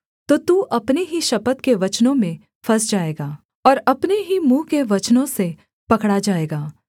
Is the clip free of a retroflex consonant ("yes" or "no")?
no